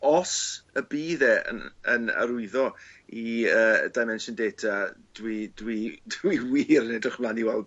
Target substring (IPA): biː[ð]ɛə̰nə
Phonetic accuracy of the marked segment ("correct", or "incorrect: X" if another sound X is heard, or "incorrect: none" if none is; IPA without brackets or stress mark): correct